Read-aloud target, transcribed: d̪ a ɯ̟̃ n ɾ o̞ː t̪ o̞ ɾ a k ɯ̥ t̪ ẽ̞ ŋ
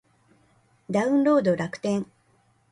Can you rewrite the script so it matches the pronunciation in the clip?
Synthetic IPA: d̪ a ɯ̟̃ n ɾ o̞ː d̪ o̞ ɾ a k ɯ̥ t̪ ẽ̞ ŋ